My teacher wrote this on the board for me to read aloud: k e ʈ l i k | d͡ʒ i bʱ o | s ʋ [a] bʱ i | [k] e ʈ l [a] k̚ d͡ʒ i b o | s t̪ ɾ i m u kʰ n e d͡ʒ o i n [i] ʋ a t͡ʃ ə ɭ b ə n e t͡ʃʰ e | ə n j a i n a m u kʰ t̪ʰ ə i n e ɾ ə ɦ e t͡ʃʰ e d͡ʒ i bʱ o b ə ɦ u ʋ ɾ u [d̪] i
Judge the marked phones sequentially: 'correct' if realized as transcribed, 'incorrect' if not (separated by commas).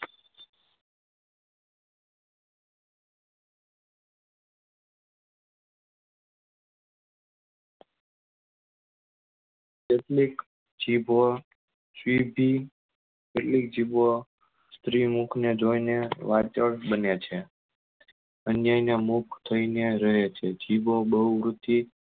incorrect, correct, incorrect, incorrect, incorrect